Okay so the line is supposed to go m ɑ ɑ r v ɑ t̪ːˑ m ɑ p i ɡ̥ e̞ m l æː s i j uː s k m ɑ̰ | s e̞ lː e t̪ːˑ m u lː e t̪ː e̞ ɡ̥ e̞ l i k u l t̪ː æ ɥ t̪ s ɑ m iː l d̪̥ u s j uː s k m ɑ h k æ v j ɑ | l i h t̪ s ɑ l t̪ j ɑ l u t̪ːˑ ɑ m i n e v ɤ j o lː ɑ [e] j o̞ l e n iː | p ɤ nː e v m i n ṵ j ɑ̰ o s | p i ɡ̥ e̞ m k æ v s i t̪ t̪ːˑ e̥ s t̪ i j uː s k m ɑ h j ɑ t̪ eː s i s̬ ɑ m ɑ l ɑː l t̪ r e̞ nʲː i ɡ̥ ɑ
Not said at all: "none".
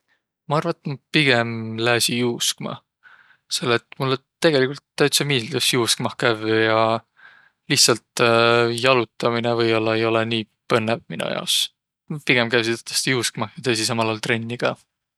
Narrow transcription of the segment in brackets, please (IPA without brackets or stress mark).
e